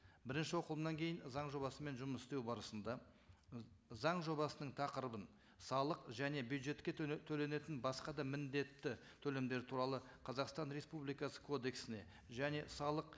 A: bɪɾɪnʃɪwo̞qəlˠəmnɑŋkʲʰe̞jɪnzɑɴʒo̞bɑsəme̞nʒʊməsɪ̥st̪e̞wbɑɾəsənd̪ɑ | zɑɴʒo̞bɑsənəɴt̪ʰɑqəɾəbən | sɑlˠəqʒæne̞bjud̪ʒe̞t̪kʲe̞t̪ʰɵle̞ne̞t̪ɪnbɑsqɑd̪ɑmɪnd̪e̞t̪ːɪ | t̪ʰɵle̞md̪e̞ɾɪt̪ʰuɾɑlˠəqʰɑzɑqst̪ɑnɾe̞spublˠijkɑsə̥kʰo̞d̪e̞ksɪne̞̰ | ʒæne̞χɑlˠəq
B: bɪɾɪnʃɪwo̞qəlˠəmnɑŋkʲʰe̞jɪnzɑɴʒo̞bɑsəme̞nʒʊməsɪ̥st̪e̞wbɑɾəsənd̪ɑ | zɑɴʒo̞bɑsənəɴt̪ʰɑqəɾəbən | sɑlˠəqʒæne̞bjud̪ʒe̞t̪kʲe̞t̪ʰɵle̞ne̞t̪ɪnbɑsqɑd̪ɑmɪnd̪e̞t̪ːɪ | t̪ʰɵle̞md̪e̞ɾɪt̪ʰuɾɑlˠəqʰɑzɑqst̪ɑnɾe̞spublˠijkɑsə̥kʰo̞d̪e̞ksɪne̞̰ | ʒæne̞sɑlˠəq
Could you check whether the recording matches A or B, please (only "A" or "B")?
B